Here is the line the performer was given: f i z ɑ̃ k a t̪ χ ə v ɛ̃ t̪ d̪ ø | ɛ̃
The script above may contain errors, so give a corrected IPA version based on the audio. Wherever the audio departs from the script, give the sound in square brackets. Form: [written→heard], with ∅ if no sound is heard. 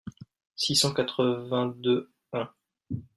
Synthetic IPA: [f→s] i [z→s] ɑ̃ k a t̪ χ ə v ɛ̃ [t̪→∅] d̪ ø | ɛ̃